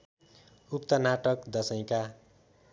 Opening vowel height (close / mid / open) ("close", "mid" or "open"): close